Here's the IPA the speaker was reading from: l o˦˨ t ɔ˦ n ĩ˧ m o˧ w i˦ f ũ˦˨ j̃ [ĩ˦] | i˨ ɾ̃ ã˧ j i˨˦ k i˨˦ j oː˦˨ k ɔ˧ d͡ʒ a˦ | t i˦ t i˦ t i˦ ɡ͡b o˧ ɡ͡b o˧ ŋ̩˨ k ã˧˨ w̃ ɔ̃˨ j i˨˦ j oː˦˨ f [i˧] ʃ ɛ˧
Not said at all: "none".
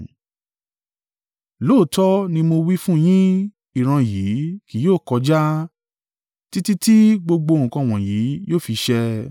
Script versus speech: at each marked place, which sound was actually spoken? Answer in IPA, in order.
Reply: ĩ˦, i˧

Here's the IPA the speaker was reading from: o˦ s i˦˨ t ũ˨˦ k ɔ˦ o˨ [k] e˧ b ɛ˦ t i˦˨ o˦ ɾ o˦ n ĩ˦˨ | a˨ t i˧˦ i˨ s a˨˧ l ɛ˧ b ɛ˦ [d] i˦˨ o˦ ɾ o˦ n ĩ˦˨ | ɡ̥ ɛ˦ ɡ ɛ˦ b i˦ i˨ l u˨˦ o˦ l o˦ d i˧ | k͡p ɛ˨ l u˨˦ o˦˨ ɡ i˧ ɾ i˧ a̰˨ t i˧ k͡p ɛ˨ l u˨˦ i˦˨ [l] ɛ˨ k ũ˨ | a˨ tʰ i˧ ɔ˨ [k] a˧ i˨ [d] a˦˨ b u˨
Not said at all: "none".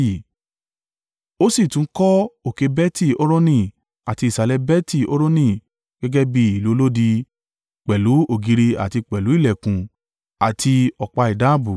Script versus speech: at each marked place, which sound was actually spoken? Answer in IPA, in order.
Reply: k, t, l, k͡p, d

